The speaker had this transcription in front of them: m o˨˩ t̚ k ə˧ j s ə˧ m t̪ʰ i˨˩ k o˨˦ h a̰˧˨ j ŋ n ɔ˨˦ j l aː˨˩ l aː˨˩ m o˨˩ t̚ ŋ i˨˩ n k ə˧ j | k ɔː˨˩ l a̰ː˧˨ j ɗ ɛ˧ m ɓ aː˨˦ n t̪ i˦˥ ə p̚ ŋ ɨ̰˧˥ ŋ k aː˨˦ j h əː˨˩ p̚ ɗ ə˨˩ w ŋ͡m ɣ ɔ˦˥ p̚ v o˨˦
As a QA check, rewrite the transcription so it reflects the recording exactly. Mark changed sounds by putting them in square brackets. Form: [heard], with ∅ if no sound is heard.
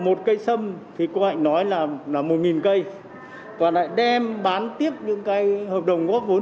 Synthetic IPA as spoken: m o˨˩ t̚ k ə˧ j s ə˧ m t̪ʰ i˨˩ k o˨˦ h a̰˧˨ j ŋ n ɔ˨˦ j l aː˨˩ l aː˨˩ m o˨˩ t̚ ŋ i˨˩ n k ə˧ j | k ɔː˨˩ l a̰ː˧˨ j ɗ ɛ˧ m ɓ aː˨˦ n t̪ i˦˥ ə p̚ [ɲ] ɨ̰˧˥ ŋ k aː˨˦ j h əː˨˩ p̚ ɗ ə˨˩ w ŋ͡m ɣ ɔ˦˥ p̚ v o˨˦

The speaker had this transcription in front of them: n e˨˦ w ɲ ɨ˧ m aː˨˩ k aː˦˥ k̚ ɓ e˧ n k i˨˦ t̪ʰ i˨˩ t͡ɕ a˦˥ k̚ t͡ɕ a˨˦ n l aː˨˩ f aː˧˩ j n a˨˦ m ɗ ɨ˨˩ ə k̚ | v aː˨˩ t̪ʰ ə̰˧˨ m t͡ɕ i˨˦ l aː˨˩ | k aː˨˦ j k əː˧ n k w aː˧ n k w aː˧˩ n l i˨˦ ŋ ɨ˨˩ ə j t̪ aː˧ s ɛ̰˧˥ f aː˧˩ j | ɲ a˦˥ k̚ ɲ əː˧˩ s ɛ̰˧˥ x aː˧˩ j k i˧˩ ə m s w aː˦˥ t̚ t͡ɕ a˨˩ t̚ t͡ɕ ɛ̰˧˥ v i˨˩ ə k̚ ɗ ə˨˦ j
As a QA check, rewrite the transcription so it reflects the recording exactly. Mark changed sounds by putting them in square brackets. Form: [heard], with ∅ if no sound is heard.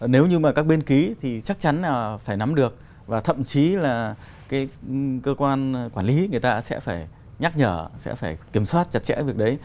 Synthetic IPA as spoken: n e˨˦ w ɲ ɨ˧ m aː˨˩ k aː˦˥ k̚ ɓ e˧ n k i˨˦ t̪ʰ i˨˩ t͡ɕ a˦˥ k̚ t͡ɕ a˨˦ n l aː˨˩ f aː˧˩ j n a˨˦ m ɗ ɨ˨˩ ə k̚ | v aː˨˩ t̪ʰ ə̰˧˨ m t͡ɕ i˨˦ l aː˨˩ | k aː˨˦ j k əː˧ [∅] k w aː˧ n k w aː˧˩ n l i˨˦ ŋ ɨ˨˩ ə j t̪ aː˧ s ɛ̰˧˥ f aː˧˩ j | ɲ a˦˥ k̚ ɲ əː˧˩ s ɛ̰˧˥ [f] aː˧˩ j k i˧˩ ə m s w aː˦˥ t̚ t͡ɕ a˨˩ t̚ t͡ɕ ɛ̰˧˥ v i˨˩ ə k̚ ɗ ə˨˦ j

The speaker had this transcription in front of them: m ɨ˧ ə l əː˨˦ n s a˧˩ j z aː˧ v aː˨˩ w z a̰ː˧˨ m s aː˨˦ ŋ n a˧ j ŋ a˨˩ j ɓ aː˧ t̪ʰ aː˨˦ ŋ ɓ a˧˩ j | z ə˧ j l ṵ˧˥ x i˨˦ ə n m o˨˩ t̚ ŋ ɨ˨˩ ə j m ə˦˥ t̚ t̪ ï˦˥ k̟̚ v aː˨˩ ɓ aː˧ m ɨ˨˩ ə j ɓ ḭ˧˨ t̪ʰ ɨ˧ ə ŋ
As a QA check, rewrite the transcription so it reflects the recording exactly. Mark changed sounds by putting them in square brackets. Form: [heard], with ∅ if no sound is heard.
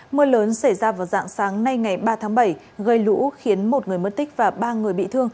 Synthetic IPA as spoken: m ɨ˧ ə l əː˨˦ n s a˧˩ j z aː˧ v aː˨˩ w z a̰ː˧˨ [ŋ] s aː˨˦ ŋ n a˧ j ŋ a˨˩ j ɓ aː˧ t̪ʰ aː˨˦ ŋ ɓ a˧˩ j | [ɣ] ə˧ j l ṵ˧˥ x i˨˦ ə n m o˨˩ t̚ ŋ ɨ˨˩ ə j m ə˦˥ t̚ t̪ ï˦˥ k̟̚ v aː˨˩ ɓ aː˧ [ŋ] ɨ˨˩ ə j ɓ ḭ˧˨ t̪ʰ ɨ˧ ə ŋ

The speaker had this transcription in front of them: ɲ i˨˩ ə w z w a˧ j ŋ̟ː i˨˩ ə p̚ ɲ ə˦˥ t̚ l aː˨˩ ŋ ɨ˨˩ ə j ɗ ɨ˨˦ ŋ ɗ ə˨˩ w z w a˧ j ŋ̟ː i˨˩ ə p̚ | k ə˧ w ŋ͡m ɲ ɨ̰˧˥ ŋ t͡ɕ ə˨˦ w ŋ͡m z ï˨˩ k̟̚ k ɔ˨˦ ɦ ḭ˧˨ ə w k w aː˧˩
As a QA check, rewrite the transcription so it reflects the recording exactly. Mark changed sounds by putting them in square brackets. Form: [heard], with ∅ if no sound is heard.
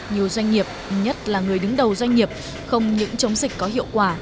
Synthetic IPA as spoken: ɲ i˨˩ ə w z w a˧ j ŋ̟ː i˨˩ ə p̚ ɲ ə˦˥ t̚ l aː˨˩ ŋ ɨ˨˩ ə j ɗ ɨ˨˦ ŋ ɗ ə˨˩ w z w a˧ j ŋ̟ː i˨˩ ə p̚ | [x] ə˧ w ŋ͡m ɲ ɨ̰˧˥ ŋ t͡ɕ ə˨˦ w ŋ͡m z ï˨˩ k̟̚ k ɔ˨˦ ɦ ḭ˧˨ ə w k w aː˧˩

